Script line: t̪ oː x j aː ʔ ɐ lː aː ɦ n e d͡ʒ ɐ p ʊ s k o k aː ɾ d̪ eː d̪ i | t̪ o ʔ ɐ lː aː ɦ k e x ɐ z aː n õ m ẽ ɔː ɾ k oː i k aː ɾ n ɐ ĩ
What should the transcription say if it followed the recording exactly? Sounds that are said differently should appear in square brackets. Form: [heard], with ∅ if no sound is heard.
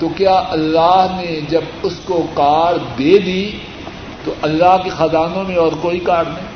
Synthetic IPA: t̪ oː [k] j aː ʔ ɐ lː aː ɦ n e d͡ʒ ɐ [b] ʊ s k o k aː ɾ d̪ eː d̪ i | t̪ o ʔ ɐ lː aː ɦ k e x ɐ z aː n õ m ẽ ɔː ɾ k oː i k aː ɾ n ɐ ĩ